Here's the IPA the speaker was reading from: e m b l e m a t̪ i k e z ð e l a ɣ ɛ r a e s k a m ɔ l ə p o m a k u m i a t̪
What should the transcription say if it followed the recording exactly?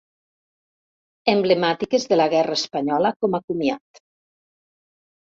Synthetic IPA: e m b l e m a t̪ i k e z ð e l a ɣ ɛ r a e s p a ɲ ɔ l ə k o m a k u m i a t̪